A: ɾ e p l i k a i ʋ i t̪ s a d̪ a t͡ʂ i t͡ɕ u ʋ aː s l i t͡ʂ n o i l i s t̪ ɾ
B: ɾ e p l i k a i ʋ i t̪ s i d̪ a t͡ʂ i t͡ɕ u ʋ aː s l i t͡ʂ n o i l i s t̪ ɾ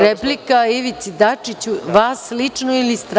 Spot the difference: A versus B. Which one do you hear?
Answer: B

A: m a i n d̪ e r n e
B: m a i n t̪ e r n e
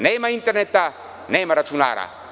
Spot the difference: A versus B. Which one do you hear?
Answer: B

